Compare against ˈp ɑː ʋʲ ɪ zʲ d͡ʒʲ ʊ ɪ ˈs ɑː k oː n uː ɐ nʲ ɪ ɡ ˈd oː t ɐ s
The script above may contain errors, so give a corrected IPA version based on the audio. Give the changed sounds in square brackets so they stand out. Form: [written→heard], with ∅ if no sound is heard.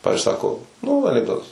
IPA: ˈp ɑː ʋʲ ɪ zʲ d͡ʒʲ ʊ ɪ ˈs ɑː k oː n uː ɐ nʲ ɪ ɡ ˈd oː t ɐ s